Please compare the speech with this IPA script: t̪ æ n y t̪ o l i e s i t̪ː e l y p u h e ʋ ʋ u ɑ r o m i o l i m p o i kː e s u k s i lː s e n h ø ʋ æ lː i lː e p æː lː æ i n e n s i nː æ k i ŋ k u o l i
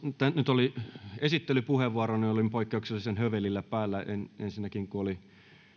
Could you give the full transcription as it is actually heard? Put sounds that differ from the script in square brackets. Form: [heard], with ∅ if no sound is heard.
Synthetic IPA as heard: t̪ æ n y t̪ o l i e s i t̪ː e l y p u h e ʋ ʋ u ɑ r o [n] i o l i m p o i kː e [∅] u k s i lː s e n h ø ʋ [e] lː i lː [æ] p æː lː æ [e] n e n s i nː æ k i ŋ k u o l i